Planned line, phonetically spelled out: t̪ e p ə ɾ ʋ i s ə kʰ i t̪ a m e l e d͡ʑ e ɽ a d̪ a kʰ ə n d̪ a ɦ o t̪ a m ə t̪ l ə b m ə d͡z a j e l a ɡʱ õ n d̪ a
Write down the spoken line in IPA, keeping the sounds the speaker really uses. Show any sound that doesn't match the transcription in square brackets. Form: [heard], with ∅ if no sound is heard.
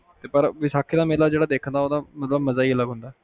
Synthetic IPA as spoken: t̪ e p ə ɾ ʋ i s [a] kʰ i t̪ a m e l [a] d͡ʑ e ɽ a d̪ [e] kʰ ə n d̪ a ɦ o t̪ a m ə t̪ l ə b m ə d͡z a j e l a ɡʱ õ n d̪ a

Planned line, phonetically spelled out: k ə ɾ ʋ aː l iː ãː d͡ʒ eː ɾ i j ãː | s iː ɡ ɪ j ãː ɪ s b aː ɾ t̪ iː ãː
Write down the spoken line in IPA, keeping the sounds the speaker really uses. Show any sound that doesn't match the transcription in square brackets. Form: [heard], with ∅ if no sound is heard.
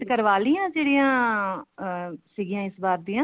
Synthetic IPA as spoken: k ə ɾ ʋ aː l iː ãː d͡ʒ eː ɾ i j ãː | s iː ɡ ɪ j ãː ɪ s b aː ɾ [d̪] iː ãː

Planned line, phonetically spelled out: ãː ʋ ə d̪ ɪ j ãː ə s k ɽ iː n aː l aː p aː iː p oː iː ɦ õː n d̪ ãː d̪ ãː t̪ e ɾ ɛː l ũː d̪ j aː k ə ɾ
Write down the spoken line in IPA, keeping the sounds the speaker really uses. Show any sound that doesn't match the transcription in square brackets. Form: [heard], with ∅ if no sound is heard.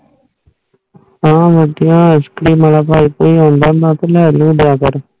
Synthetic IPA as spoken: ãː ʋ ə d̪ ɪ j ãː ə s k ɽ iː [m] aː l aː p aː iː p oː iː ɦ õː n d̪ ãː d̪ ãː t̪ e [l] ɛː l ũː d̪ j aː k ə ɾ

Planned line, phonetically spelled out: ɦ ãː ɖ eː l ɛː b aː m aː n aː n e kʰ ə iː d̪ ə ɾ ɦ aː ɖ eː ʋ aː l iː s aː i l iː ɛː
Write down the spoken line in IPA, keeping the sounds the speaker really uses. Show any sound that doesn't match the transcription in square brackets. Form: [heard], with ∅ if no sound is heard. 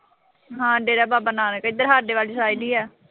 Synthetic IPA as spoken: ɦ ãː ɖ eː [ɾ] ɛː b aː [b] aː n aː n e [k] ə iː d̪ ə ɾ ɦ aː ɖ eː ʋ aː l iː s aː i l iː ɛː

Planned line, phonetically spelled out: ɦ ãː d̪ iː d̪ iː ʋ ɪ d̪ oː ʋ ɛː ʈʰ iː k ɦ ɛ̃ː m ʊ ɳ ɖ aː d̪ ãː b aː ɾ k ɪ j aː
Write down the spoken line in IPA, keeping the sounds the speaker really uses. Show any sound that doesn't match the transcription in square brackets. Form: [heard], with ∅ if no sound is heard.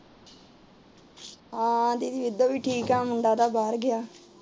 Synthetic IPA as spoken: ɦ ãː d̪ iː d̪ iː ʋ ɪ d̪ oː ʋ [iː] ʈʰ iː k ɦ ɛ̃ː m ʊ ɳ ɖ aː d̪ [aː] b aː ɾ [ɡ] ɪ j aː

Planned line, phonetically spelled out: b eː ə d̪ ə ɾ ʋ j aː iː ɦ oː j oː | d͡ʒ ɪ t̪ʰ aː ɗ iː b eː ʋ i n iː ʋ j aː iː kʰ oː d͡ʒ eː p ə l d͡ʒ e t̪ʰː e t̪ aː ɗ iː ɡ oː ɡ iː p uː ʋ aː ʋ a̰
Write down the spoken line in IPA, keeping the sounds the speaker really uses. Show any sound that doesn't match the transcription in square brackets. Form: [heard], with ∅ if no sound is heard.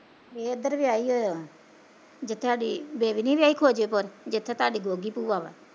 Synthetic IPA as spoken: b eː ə d̪ ə ɾ ʋ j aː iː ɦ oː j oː | d͡ʒ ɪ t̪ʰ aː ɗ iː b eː ʋ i n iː ʋ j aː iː kʰ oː d͡ʒ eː p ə [ɾ] d͡ʒ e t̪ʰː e t̪ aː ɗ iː ɡ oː ɡ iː p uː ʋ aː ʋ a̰

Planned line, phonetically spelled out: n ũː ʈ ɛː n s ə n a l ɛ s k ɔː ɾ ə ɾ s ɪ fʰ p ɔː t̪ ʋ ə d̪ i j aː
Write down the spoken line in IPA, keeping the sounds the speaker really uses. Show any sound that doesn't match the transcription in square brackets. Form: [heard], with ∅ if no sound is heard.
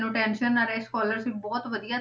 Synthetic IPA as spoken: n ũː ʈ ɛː n [ʃ] ə n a [ɾ] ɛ s k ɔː [l] ə ɾ s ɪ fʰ [b] ɔː t̪ ʋ ə d̪ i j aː

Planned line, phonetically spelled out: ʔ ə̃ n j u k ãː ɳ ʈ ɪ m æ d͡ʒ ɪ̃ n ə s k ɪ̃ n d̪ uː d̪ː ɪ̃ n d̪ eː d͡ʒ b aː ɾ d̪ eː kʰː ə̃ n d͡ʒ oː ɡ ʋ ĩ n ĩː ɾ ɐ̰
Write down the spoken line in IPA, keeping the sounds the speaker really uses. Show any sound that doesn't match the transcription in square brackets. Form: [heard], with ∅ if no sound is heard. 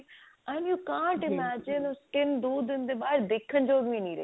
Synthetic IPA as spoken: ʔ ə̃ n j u k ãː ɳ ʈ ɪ m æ d͡ʒ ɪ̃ n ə s k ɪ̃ n d̪ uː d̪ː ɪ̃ n d̪ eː [∅] b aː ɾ d̪ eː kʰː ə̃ n d͡ʒ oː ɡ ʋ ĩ n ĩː ɾ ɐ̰

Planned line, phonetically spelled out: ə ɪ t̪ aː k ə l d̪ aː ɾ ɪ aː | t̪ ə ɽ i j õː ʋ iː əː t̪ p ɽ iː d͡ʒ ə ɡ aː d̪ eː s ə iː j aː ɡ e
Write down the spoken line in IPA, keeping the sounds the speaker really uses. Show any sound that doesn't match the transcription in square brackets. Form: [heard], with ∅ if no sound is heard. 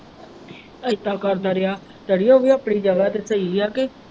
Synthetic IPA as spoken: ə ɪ t̪ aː k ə [ɾ] d̪ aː ɾ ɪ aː | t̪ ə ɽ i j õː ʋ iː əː [∅] p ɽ iː d͡ʒ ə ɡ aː [t̪] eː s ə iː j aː [k] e

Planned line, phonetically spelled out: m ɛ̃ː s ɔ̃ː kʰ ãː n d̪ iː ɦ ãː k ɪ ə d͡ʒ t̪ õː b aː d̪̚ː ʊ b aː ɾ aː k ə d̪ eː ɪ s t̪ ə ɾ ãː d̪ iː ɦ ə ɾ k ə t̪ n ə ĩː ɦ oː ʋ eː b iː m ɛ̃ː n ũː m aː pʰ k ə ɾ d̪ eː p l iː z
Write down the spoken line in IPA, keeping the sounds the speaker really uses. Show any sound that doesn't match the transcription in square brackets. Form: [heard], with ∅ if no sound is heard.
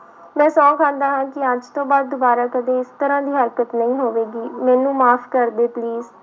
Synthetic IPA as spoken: m ɛ̃ː s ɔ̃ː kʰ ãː n d̪ [aː] ɦ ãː k ɪ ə d͡ʒ t̪ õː b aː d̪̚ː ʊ b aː ɾ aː k ə d̪ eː ɪ s t̪ ə ɾ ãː d̪ iː ɦ ə ɾ k ə t̪ n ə ĩː ɦ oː ʋ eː [ɡ] iː m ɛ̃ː n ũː m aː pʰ k ə ɾ d̪ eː p l iː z

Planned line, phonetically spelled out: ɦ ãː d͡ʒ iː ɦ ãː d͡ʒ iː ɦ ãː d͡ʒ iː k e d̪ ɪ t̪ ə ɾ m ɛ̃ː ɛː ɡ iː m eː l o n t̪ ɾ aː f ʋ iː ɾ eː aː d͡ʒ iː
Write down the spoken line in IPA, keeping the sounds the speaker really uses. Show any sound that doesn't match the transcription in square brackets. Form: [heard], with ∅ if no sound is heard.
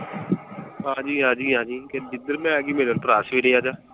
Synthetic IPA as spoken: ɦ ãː d͡ʒ iː ɦ ãː d͡ʒ iː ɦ ãː d͡ʒ iː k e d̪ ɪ [d̪] ə ɾ m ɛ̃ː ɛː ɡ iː m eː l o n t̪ ɾ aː [s] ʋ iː ɾ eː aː d͡ʒ [aː]

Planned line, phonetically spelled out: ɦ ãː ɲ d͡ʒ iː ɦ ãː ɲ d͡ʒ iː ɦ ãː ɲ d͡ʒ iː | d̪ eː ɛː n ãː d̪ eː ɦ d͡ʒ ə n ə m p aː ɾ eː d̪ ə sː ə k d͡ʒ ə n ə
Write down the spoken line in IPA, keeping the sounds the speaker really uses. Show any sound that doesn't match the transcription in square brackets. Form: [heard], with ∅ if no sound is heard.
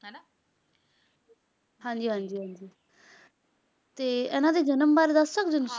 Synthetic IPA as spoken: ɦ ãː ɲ d͡ʒ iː ɦ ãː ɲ d͡ʒ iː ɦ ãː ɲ d͡ʒ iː | [t̪] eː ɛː n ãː d̪ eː [∅] d͡ʒ ə n ə m [b] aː ɾ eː d̪ ə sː ə k d͡ʒ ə n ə

